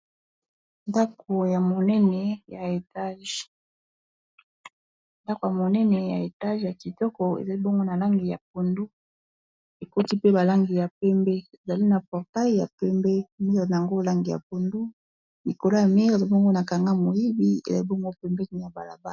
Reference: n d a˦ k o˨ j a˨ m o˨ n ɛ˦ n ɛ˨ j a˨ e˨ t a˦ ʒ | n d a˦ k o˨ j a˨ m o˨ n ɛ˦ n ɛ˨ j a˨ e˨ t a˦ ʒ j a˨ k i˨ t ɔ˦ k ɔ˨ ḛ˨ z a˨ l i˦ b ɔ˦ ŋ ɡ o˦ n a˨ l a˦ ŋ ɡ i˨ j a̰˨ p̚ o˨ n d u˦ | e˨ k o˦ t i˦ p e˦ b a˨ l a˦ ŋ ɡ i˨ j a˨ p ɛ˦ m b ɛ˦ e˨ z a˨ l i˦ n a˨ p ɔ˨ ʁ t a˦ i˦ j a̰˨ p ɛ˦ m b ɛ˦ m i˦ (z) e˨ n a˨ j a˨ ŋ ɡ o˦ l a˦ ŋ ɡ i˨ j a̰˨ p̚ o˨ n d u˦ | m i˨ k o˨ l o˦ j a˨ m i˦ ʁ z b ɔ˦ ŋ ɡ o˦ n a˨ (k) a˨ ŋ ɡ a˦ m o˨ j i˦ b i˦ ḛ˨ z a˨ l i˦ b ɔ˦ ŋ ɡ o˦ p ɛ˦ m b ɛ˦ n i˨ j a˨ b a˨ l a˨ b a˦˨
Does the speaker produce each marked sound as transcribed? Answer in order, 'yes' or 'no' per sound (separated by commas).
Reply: no, yes